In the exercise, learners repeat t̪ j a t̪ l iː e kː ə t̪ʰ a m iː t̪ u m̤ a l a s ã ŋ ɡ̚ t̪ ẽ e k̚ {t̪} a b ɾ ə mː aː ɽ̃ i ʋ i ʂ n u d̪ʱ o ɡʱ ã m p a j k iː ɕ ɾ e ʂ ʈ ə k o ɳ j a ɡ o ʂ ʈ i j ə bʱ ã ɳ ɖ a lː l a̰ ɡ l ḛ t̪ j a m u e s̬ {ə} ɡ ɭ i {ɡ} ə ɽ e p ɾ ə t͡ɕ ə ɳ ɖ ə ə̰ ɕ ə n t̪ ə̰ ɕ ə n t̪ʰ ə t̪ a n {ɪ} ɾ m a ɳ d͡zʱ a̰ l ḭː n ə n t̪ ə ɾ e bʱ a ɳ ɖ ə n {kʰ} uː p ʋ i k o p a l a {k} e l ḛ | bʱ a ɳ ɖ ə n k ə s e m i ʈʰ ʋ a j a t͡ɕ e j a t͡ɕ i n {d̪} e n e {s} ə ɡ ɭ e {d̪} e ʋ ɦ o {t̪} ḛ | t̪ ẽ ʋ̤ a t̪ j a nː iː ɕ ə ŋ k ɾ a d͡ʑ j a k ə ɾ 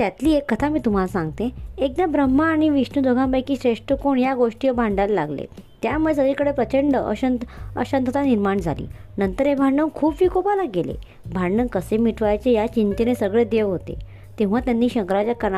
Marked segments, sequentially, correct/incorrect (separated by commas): incorrect, correct, incorrect, incorrect, correct, incorrect, incorrect, correct, correct, correct